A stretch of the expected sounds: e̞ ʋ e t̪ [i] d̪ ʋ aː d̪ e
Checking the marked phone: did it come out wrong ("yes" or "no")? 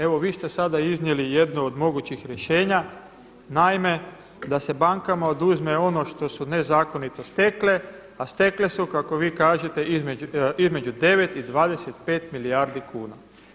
no